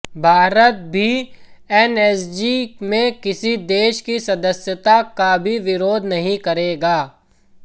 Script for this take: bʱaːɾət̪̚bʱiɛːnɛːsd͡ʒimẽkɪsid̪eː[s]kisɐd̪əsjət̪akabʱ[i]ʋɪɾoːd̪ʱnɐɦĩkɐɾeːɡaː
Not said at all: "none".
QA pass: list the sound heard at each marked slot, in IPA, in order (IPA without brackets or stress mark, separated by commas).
ʃ, i